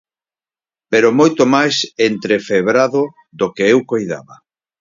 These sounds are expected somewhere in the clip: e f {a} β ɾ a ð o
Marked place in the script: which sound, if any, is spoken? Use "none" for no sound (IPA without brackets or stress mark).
e